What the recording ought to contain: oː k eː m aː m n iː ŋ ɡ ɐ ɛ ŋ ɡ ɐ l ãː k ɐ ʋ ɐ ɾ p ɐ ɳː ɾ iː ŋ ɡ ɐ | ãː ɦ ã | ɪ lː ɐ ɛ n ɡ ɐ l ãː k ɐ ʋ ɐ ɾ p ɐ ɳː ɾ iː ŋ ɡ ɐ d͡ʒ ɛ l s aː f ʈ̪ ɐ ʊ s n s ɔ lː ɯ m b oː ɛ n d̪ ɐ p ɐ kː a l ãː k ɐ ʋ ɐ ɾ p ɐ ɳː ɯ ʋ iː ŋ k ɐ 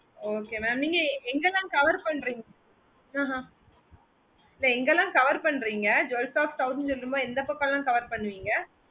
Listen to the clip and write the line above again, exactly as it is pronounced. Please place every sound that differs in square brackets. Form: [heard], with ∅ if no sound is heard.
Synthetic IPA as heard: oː k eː m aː m n iː ŋ ɡ ɐ ɛ ŋ ɡ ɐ l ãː k ɐ ʋ ɐ ɾ p ɐ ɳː ɾ iː ŋ ɡ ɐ | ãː ɦ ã | ɪ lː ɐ ɛ [ŋ] ɡ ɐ l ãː k ɐ ʋ ɐ ɾ p ɐ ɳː ɾ iː ŋ ɡ ɐ d͡ʒ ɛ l s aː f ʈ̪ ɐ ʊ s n s ɔ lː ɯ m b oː ɛ n d̪ ɐ p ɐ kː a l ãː k ɐ ʋ ɐ ɾ p ɐ ɳː ɯ ʋ iː ŋ [ɡ] ɐ

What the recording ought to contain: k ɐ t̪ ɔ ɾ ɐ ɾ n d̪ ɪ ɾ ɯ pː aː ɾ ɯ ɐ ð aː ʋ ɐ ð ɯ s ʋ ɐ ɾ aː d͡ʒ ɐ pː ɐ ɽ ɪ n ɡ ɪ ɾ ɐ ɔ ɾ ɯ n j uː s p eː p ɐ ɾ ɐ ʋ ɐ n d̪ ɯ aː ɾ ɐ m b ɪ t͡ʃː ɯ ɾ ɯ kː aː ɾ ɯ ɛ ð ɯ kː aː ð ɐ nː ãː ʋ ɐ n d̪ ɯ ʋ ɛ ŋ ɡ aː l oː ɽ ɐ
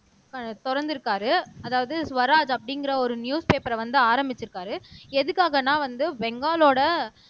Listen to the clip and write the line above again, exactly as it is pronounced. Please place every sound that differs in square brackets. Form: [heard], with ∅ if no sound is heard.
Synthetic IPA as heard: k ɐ t̪ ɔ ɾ ɐ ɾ n d̪ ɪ ɾ ɯ [kː] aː ɾ ɯ ɐ ð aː ʋ ɐ ð ɯ s ʋ ɐ ɾ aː d͡ʒ ɐ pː ɐ ɽ ɪ [ŋ] ɡ ɪ ɾ ɐ ɔ ɾ ɯ n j uː s p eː p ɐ ɾ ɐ ʋ ɐ n d̪ ɯ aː ɾ ɐ m b ɪ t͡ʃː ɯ ɾ ɯ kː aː ɾ ɯ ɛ ð ɯ kː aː [ɣ] ɐ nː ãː ʋ ɐ n d̪ ɯ ʋ ɛ ŋ ɡ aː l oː ɽ ɐ

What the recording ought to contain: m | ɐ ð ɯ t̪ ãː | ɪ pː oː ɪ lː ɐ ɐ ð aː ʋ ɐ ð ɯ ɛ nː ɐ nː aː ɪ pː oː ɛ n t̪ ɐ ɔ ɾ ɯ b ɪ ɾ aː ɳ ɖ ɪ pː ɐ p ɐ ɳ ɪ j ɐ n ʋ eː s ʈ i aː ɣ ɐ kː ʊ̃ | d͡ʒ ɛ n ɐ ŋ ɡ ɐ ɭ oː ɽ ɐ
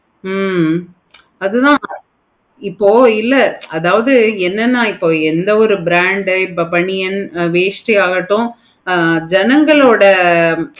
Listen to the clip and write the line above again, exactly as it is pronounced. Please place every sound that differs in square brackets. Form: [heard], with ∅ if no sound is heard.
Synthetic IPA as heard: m | ɐ ð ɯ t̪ ãː | ɪ pː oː ɪ lː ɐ ɐ ð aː ʋ ɐ ð ɯ ɛ nː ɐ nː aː ɪ pː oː ɛ n [d̪] ɐ ɔ ɾ ɯ b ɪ ɾ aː ɳ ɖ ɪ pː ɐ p ɐ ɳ ɪ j ɐ n ʋ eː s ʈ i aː ɣ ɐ [ʈː] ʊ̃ | d͡ʒ ɛ n ɐ ŋ ɡ ɐ ɭ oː ɽ ɐ

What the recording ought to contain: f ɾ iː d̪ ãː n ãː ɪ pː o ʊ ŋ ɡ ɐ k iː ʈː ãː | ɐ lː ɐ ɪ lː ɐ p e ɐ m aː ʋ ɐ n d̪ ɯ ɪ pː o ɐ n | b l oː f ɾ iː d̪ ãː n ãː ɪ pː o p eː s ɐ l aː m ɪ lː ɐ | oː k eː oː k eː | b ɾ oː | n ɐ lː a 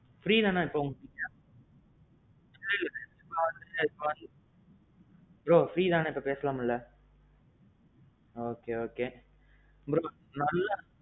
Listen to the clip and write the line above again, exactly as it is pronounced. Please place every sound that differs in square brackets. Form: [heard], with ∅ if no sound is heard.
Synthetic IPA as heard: f ɾ iː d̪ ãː n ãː ɪ pː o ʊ ŋ ɡ ɐ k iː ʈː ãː | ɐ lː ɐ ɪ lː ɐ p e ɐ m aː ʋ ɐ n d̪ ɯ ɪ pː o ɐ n | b [ɾ] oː f ɾ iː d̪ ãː n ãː ɪ pː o p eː s ɐ l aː m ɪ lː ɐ | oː k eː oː k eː | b ɾ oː | n ɐ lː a

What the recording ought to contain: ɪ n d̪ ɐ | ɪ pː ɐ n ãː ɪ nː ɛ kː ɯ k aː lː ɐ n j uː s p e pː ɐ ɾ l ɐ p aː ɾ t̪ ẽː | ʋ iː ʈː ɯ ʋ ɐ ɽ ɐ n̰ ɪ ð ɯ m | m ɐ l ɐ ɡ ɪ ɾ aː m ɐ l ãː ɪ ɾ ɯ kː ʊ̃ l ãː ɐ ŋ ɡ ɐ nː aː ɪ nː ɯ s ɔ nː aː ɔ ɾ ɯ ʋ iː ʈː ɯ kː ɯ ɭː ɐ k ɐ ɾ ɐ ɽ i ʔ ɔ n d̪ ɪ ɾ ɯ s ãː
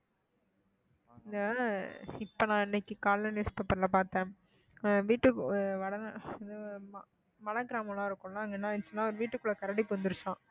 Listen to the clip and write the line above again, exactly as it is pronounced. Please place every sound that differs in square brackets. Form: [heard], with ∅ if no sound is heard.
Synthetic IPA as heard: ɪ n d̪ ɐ | ɪ pː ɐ n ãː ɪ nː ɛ kː ɯ k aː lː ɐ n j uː s p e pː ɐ ɾ l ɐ p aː ɾ t̪ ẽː | ʋ iː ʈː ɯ ʋ ɐ ɽ ɐ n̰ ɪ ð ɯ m | m ɐ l ɐ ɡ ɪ ɾ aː m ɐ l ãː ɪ ɾ ɯ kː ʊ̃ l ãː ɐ ŋ ɡ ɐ nː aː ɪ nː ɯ s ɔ nː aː ɔ ɾ ɯ ʋ iː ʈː ɯ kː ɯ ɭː ɐ k ɐ ɾ ɐ ɽ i [p] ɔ n d̪ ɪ ɾ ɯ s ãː

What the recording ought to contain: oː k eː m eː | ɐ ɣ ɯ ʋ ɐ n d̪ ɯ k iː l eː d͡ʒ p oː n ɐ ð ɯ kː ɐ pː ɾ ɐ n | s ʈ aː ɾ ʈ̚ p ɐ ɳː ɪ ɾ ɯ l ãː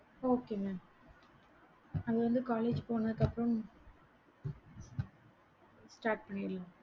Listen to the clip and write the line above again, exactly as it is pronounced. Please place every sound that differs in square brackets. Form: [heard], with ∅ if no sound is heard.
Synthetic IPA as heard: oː k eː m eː | ɐ [ð] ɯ ʋ ɐ n d̪ ɯ k [aː] l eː d͡ʒ p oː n ɐ ð ɯ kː ɐ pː ɾ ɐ [m] | s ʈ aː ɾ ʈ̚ p ɐ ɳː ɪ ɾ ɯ l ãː

